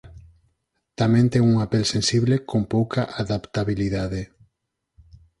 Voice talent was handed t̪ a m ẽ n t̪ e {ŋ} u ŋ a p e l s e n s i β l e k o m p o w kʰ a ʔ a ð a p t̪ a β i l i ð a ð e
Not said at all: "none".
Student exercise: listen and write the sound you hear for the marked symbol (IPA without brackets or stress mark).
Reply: ŋ